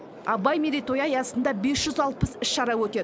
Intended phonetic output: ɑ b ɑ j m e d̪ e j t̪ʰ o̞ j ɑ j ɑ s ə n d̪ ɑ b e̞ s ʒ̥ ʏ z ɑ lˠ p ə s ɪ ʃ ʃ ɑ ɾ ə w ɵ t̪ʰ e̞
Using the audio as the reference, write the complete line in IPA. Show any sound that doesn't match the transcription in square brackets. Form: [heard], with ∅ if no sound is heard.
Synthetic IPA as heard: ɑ b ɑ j m e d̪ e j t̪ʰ o̞ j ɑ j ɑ s ə n d̪ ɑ b e̞ s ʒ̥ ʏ z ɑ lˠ p ə s ɪ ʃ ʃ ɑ ɾ [ɑ] w ɵ [t̪] e̞